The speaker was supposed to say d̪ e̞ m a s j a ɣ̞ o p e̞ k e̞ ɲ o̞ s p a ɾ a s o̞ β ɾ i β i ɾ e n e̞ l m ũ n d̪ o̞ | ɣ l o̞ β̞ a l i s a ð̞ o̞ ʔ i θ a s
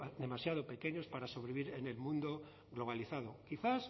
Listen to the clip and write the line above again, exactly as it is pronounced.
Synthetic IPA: d̪ e̞ m a s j a ð̞ o p e̞ k e̞ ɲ o̞ s p a ɾ a s o̞ β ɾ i β i ɾ e n e̞ l m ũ n d̪ o̞ | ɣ l o̞ β̞ a l i θ a ð̞ o̞ k i θ a s